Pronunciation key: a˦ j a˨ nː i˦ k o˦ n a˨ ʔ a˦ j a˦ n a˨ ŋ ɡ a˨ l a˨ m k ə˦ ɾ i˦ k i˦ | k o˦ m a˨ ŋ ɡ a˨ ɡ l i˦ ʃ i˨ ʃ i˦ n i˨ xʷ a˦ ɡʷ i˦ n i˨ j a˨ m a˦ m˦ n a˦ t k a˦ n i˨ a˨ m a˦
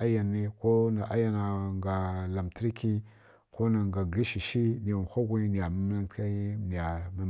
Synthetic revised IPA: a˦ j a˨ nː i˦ k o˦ n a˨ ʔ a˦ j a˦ n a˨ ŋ ɡ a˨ l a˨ m t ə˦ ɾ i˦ k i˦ | k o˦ n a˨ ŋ ɡ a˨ ɡ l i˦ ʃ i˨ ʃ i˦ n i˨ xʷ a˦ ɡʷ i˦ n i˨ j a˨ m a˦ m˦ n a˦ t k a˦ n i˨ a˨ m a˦